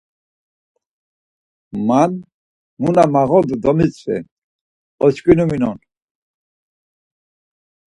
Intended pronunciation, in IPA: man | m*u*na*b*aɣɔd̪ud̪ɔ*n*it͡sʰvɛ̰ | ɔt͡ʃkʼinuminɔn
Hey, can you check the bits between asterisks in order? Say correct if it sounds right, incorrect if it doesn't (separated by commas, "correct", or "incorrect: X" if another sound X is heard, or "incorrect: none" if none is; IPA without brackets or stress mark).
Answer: correct, incorrect: m, incorrect: m